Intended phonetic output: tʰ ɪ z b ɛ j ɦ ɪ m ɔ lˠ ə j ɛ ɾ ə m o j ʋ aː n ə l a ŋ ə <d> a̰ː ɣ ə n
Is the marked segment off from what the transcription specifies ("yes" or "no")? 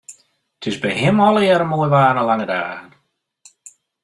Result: no